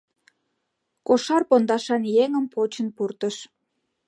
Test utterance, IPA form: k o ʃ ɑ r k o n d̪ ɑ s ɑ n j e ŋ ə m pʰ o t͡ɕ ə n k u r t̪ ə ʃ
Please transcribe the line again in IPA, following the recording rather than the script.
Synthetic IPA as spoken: k o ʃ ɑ r p o n d̪ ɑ ʃ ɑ n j e ŋ ə m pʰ o t͡ɕ ə n p u r t̪ ə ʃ